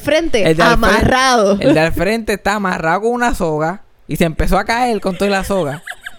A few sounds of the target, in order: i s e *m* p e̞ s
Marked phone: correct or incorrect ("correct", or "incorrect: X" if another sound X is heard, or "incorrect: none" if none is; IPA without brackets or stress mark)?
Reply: correct